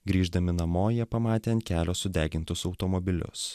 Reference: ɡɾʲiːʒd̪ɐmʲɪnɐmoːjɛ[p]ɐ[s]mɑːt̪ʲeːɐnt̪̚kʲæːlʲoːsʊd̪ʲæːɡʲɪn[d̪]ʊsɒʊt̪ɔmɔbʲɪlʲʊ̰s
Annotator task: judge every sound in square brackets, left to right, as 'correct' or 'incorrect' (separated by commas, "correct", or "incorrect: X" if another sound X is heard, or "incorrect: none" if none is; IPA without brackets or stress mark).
correct, incorrect: none, incorrect: t̪